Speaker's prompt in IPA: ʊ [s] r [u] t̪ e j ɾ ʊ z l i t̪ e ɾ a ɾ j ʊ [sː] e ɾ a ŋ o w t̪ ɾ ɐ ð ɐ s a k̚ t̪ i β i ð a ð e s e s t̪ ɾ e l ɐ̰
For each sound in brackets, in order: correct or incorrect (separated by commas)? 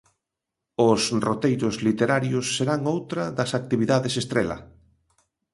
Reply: correct, incorrect, correct